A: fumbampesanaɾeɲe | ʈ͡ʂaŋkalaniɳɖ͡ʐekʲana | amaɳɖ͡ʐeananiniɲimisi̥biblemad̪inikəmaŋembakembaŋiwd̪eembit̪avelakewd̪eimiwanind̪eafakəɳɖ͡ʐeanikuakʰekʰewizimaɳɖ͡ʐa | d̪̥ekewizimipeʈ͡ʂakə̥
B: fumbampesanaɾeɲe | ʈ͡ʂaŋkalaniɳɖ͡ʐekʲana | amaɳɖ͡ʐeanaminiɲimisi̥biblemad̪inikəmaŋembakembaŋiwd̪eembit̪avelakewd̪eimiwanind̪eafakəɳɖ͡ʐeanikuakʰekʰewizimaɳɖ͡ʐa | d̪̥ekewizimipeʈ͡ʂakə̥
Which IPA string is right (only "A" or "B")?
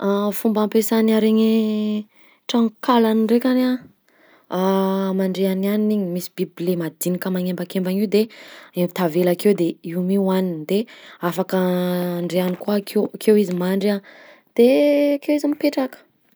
A